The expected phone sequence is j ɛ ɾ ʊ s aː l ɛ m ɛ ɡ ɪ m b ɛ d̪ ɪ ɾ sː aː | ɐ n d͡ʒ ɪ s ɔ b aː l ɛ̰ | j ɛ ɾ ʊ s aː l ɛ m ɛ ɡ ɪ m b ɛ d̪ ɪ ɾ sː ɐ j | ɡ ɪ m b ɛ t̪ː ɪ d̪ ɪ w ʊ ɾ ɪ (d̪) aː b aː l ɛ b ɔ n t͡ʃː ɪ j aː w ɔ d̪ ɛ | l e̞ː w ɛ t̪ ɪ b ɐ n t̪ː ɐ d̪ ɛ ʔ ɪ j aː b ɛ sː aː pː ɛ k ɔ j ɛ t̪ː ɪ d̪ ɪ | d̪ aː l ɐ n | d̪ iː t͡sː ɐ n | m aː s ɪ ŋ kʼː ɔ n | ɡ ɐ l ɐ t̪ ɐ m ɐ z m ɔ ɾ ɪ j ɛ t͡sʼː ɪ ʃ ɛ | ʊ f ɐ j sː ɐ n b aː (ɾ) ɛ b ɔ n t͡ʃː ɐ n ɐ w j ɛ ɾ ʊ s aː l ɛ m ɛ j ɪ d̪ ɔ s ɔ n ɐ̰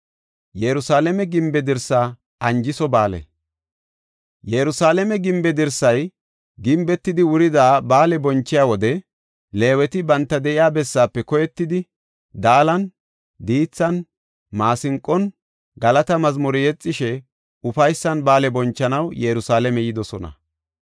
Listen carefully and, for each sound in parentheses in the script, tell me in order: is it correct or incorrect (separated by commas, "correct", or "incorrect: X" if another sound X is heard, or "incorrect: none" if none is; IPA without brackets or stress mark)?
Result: correct, incorrect: l